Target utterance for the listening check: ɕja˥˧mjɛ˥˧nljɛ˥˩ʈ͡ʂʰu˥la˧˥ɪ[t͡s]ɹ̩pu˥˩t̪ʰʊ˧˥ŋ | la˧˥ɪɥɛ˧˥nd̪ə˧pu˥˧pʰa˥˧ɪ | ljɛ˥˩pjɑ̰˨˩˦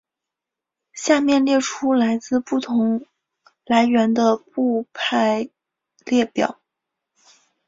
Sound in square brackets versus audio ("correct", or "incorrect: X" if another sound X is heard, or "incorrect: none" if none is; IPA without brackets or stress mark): correct